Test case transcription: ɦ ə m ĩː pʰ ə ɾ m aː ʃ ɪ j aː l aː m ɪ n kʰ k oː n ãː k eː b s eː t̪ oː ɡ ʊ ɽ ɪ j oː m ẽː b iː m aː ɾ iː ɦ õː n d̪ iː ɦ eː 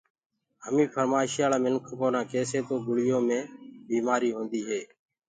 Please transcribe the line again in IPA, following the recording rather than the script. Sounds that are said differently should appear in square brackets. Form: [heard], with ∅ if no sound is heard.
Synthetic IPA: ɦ ə m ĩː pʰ ə ɾ m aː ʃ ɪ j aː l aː m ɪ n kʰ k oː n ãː k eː [∅] s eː t̪ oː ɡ ʊ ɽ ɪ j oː m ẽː b iː m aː ɾ iː ɦ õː n d̪ iː ɦ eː